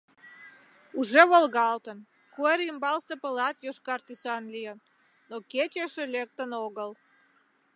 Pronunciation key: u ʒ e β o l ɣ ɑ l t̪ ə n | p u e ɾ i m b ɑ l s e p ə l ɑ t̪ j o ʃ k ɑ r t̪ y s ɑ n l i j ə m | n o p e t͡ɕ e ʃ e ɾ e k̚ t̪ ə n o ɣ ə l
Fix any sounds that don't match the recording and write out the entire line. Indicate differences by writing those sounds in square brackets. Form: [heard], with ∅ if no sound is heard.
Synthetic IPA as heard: u ʒ e β o l ɣ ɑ l t̪ ə n | [k] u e ɾ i m b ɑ l s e p ə l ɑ t̪ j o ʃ k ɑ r t̪ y s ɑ n l i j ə [n] | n o [k] e t͡ɕ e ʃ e [l] e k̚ t̪ ə n o ɣ ə l